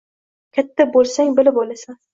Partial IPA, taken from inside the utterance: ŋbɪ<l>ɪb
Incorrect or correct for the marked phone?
correct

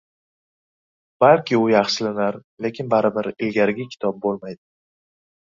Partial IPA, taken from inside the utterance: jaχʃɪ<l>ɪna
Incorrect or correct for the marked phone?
correct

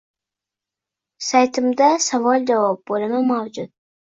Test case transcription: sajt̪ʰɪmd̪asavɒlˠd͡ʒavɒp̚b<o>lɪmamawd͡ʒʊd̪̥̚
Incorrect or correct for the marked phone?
correct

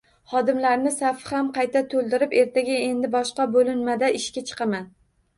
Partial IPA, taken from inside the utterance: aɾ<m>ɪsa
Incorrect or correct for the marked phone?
incorrect: n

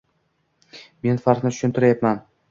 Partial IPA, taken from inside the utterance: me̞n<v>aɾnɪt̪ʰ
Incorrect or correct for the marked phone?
incorrect: f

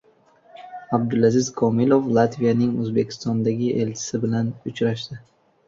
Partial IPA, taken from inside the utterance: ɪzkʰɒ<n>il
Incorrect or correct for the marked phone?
incorrect: m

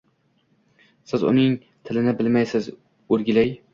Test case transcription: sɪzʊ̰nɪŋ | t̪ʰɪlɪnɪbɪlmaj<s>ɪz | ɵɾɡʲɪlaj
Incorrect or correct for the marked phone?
correct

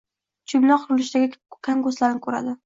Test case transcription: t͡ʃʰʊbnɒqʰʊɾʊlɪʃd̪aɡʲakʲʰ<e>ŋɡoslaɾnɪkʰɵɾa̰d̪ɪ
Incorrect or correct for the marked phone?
incorrect: a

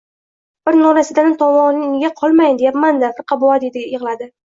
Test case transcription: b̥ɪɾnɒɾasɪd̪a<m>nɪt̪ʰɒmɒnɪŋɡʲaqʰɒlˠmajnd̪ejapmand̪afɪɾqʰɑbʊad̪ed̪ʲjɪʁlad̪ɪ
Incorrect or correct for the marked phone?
incorrect: none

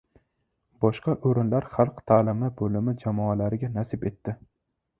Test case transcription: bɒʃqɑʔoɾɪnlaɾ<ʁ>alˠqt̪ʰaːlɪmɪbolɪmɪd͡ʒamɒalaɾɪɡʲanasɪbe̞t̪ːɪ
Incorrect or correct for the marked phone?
incorrect: χ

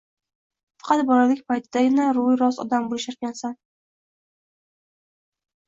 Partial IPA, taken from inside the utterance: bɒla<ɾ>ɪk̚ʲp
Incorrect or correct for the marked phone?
incorrect: l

